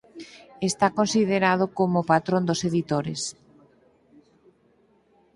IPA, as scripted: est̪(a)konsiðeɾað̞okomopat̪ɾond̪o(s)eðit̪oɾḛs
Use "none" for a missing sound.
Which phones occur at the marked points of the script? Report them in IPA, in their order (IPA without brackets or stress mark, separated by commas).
a, s